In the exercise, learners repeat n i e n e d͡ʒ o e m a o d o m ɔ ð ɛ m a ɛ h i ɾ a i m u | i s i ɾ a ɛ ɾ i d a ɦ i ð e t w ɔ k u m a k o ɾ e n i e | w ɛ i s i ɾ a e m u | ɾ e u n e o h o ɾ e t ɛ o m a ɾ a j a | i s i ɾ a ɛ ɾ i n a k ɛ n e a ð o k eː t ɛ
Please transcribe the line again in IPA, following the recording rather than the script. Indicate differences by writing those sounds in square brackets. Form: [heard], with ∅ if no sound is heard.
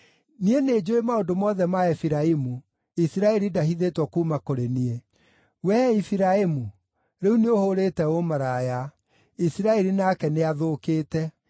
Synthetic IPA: n i e n e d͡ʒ o e m a o d o m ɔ ð ɛ m a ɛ [f] i ɾ a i m u | i s i ɾ a ɛ ɾ i d a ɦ i ð e t w ɔ k u m a k o ɾ e n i e | w ɛ i [f] i ɾ a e m u | ɾ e u n e o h o ɾ e t ɛ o m a ɾ a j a | i s i ɾ a ɛ ɾ i n a k ɛ n e a ð o k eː t ɛ